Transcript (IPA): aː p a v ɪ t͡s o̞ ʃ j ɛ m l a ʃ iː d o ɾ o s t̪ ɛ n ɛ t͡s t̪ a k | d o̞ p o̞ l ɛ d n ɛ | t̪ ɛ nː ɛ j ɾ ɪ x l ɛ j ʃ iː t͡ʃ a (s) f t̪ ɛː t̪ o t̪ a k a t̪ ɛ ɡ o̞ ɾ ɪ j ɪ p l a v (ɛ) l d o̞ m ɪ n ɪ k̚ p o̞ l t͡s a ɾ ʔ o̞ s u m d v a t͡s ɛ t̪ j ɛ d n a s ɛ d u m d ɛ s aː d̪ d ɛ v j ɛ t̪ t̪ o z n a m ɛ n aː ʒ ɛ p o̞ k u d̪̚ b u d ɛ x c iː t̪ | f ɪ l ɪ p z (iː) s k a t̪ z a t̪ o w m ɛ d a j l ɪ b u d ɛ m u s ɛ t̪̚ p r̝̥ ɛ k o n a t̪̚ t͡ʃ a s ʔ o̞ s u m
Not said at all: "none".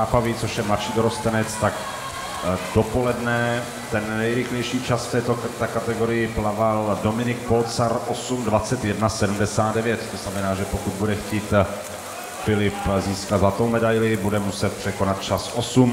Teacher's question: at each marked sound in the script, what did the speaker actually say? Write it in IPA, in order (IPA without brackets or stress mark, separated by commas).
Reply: s, a, iː